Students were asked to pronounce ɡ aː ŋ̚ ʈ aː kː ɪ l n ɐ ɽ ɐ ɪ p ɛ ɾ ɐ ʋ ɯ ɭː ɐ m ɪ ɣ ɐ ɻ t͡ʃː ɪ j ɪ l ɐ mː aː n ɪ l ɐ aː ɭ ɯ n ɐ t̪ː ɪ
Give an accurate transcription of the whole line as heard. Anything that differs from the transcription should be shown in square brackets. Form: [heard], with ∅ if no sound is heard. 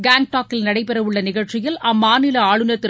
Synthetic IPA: ɡ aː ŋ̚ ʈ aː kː ɪ l n ɐ ɽ ɐ ɪ p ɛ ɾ ɐ ʋ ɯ ɭː ɐ [n] ɪ ɣ ɐ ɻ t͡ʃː ɪ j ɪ l ɐ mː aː n ɪ l ɐ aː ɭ ɯ n ɐ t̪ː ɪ